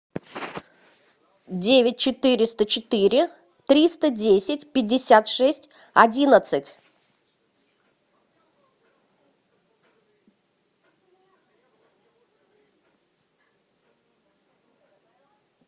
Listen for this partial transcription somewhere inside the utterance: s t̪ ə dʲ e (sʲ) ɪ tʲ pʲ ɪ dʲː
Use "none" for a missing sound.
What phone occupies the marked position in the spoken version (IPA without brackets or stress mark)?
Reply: sʲ